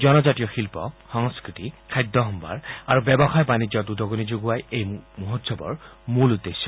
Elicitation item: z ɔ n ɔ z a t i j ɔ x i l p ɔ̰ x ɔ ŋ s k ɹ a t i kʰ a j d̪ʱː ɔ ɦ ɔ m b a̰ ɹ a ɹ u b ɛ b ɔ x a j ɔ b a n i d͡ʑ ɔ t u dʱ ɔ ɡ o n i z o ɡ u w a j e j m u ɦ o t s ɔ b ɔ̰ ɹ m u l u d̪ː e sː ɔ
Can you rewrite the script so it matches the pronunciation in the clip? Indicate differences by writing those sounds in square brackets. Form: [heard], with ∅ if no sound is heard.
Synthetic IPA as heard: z ɔ n ɔ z a t i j ɔ x i l p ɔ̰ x ɔ ŋ s k ɹ [i] t i kʰ a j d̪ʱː ɔ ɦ ɔ m b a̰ ɹ a ɹ u b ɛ b ɔ x a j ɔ b a n i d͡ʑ ɔ t u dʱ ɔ ɡ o n i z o ɡ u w a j e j m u ɦ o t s ɔ b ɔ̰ ɹ m u l u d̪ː e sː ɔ